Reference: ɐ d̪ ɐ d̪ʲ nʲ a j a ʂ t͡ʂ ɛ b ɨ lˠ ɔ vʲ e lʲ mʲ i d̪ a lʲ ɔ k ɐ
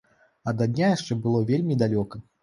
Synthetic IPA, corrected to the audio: ɐ d̪ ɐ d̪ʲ nʲ a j a ʂ t͡ʂ ɛ b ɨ lˠ ɔ vʲ e lʲ mʲ i d̪ a lʲ ɔ k ɐ